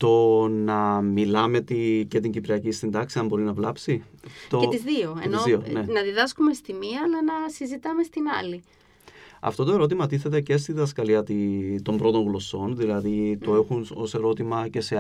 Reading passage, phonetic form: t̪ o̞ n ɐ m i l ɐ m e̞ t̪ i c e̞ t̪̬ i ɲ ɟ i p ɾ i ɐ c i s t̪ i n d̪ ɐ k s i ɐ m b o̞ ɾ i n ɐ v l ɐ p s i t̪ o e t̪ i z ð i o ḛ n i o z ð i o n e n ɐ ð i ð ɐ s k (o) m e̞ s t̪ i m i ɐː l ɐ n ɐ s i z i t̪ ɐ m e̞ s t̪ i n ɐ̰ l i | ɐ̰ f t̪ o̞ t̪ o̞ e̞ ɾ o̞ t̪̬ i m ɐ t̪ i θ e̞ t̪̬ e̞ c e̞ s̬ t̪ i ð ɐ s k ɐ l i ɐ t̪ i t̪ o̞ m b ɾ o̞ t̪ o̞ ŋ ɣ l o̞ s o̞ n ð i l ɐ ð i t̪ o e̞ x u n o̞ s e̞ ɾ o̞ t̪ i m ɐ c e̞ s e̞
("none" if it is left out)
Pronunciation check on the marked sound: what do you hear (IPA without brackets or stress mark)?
u